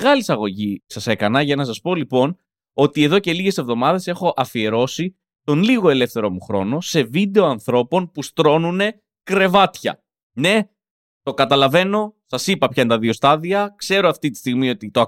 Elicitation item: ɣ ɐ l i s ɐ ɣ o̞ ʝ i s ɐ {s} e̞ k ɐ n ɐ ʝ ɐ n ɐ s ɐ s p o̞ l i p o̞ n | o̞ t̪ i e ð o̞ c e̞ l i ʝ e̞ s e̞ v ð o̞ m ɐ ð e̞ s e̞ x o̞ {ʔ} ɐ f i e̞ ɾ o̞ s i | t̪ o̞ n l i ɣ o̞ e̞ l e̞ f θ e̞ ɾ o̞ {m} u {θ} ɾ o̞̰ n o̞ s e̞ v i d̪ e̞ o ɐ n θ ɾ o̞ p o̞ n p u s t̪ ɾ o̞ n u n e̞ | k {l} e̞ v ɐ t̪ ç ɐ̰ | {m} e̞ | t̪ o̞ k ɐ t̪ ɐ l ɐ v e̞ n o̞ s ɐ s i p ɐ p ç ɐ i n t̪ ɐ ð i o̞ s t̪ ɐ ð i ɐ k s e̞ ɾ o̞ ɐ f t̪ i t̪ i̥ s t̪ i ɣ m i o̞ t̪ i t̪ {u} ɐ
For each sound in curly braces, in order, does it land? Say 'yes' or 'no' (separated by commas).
yes, yes, yes, no, no, no, no